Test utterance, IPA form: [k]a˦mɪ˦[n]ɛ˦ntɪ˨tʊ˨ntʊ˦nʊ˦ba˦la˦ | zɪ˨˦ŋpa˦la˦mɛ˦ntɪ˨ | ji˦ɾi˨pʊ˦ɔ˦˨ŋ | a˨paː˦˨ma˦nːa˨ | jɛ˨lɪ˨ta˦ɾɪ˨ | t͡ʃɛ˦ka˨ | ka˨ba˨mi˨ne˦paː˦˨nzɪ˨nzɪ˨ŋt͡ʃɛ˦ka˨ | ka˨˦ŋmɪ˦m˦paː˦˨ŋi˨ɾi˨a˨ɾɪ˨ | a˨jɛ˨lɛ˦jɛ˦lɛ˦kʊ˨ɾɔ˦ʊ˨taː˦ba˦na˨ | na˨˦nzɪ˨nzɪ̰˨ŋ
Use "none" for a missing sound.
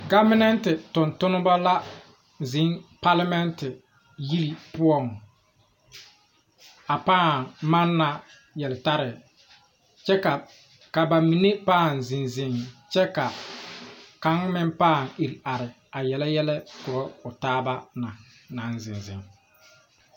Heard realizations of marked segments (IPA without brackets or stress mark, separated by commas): ɡ, n